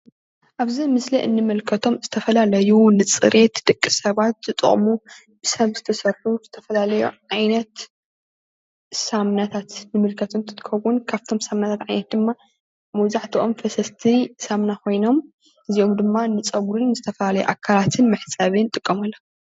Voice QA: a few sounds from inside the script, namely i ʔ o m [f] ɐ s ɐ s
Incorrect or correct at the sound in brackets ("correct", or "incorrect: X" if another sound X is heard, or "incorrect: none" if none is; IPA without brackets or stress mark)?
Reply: correct